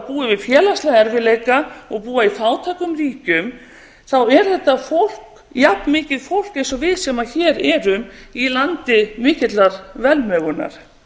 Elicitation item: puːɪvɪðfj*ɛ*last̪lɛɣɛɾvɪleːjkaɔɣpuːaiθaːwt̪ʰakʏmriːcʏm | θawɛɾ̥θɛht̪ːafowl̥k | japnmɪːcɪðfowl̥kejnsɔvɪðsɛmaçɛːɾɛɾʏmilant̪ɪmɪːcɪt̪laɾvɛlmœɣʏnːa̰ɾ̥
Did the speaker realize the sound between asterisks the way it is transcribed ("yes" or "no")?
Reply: no